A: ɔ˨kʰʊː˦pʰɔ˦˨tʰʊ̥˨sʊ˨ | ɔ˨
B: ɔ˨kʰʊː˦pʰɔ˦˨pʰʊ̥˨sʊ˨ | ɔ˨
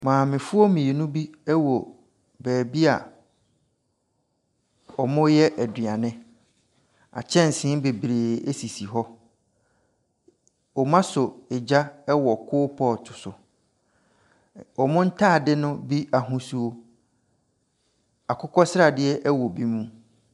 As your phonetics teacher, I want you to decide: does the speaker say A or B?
A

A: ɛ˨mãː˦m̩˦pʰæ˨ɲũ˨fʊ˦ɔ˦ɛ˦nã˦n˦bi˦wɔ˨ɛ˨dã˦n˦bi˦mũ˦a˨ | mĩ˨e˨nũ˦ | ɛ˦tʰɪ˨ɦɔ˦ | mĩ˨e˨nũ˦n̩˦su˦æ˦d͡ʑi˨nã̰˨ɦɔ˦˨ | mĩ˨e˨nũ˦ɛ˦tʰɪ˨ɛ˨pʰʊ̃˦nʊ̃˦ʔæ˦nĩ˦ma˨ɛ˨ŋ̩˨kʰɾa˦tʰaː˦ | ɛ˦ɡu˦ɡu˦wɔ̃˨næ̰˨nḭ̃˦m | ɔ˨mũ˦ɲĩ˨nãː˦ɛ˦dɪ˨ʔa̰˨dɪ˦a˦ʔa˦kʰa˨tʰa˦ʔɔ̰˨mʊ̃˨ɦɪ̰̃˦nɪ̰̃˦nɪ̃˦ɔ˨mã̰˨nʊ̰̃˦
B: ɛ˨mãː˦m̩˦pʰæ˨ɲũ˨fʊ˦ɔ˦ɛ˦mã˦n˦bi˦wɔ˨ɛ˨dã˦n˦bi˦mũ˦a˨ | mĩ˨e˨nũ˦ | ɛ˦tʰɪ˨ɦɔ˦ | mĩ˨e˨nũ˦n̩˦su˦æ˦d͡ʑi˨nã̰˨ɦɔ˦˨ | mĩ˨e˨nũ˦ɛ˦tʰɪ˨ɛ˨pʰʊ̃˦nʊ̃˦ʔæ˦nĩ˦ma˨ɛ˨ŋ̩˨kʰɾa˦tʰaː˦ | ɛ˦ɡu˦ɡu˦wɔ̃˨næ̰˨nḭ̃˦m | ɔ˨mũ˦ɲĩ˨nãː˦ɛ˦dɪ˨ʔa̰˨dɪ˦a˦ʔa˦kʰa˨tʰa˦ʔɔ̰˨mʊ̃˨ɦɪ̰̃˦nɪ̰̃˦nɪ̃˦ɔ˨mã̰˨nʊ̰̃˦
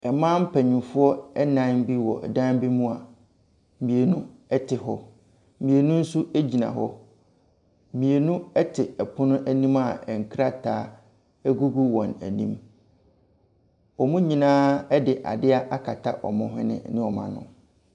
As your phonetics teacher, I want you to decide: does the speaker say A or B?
A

